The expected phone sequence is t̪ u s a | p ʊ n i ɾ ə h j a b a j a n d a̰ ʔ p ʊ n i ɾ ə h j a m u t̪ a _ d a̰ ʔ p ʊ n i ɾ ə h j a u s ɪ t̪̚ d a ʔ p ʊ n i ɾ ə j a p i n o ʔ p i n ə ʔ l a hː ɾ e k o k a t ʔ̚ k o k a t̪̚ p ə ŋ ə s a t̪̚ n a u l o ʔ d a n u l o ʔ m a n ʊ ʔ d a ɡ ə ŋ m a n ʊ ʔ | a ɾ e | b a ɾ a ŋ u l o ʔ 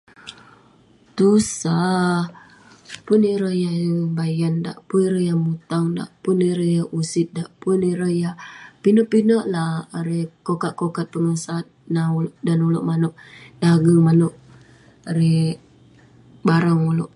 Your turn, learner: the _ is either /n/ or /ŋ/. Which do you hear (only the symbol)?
ŋ